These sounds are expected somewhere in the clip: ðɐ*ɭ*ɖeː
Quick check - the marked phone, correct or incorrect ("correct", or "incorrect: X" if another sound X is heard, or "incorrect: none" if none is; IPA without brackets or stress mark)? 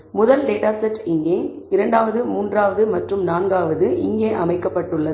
incorrect: l